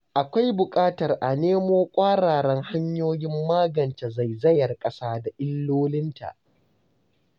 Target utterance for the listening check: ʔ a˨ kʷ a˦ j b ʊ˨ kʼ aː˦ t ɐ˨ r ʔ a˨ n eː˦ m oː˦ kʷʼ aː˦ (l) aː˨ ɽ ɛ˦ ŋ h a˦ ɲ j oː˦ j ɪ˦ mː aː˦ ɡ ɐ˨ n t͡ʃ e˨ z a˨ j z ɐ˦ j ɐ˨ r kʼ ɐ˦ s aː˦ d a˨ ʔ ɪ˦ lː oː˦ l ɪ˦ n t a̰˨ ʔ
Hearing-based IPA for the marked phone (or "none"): ɽ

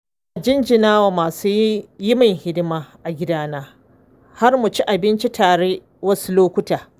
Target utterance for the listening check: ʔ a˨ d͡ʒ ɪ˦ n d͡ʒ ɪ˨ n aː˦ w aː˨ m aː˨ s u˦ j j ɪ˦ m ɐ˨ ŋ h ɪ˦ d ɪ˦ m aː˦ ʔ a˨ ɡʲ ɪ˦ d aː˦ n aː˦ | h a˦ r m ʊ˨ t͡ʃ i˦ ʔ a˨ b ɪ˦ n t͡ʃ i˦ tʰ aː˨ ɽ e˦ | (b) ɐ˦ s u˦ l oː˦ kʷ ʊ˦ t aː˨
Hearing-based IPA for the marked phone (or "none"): w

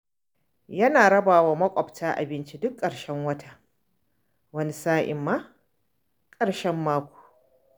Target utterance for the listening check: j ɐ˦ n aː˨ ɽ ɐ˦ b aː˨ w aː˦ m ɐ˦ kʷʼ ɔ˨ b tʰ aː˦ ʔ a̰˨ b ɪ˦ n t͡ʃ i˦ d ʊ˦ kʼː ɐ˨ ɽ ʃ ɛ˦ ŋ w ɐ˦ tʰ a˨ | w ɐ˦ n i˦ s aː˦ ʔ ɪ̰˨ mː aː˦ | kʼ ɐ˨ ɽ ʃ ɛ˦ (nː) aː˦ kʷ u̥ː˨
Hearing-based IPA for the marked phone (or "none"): mː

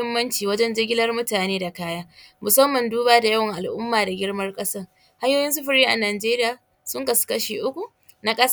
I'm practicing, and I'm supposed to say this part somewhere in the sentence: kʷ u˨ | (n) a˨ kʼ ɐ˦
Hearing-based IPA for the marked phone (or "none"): n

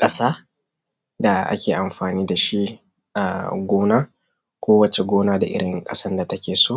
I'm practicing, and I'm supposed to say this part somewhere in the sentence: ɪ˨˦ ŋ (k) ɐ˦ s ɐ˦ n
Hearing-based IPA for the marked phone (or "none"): kʼ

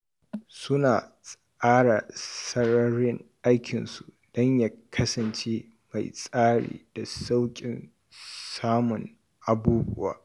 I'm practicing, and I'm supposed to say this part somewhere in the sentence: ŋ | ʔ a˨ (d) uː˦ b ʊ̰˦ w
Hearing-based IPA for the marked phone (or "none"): b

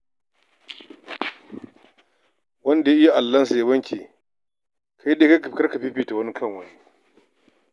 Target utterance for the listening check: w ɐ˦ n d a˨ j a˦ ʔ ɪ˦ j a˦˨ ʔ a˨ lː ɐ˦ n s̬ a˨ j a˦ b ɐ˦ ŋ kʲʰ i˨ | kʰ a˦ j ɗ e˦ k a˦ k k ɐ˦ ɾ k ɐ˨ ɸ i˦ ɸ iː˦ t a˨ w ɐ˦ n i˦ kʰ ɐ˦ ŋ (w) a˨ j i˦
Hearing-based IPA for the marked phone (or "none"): w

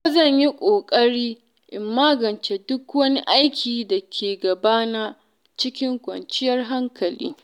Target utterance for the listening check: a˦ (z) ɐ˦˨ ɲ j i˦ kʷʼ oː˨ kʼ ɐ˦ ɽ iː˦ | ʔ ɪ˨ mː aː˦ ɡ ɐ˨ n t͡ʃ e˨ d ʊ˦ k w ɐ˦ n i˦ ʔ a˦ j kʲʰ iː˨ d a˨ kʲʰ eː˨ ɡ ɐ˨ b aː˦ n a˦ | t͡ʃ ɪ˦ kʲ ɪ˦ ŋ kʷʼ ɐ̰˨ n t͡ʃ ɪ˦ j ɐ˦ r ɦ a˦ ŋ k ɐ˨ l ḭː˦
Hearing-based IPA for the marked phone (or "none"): z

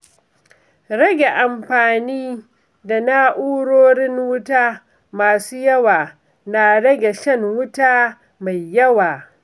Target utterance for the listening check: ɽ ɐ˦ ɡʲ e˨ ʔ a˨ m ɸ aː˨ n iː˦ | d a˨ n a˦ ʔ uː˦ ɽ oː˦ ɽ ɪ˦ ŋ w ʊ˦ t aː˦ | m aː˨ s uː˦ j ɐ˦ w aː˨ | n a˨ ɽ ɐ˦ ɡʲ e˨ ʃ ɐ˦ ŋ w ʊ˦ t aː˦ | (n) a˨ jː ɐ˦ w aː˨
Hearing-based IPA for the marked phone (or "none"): m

